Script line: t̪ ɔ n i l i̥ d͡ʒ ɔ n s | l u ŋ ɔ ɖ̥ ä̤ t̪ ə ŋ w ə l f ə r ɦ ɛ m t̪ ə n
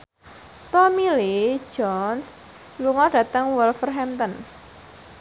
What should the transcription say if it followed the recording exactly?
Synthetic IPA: t̪ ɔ m i l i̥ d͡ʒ ɔ n s | l u ŋ ɔ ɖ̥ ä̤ t̪ ə ŋ w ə l f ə r ɦ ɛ m t̪ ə n